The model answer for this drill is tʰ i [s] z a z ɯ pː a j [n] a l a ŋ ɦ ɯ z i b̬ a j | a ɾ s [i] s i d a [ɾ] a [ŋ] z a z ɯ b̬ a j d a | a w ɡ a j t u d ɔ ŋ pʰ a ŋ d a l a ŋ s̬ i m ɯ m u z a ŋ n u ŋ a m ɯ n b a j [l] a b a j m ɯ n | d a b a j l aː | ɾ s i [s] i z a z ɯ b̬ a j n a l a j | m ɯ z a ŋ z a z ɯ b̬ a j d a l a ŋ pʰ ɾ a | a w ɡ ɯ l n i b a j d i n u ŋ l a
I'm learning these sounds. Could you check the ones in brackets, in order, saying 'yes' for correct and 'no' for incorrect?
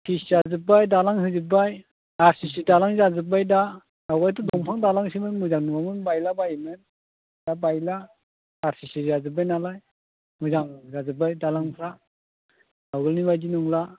yes, no, yes, no, yes, yes, yes

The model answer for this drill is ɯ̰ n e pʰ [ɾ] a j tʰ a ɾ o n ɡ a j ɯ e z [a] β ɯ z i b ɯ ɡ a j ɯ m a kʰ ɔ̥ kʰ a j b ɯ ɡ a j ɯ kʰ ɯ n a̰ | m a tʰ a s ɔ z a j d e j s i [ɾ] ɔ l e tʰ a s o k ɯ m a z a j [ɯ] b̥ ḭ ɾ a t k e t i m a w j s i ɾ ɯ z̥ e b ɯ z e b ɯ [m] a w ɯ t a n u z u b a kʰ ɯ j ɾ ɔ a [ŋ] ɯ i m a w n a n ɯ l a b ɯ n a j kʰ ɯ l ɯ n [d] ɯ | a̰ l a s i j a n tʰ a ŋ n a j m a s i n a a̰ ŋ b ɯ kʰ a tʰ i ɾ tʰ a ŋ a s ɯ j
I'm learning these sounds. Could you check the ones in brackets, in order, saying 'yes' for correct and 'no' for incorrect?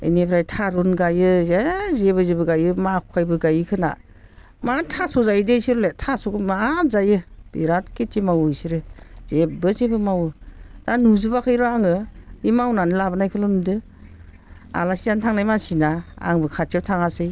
yes, no, yes, yes, yes, yes, yes

